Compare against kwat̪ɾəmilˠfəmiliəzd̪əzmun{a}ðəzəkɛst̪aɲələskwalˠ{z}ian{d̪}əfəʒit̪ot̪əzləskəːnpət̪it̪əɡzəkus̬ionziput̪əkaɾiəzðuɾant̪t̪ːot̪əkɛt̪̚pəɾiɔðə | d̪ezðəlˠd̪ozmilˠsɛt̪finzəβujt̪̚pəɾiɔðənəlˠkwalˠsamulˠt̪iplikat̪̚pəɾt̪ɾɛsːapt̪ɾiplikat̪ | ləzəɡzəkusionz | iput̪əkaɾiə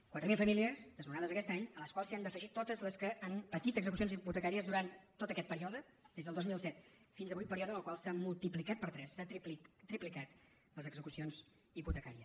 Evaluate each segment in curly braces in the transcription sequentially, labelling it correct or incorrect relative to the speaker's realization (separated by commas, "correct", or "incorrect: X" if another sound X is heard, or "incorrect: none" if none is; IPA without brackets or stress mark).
correct, incorrect: s, correct